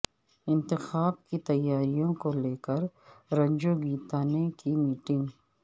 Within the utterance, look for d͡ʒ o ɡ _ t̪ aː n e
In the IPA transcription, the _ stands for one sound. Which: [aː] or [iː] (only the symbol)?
iː